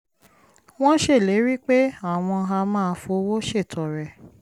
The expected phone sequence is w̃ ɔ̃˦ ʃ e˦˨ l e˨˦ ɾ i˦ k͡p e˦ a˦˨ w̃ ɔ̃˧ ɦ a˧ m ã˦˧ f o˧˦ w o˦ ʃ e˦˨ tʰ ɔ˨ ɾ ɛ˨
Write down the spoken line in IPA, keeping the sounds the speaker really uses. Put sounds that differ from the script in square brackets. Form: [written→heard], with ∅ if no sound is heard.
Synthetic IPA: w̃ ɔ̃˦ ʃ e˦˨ l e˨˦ ɾ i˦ k͡p e˦ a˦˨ w̃ ɔ̃˧ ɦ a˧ m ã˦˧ f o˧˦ w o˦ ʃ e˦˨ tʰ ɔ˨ ɾ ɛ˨